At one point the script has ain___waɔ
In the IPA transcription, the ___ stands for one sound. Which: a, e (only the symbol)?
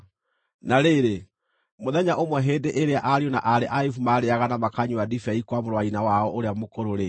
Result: a